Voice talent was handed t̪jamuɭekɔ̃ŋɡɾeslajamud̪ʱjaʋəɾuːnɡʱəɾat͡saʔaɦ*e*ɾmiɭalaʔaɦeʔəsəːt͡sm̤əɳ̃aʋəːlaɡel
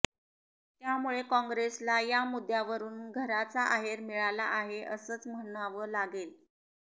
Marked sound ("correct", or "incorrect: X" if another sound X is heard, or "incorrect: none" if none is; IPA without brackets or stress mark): correct